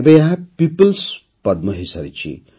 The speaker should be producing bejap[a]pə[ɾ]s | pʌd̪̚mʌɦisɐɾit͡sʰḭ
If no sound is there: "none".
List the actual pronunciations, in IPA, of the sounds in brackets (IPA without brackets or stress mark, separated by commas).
i, l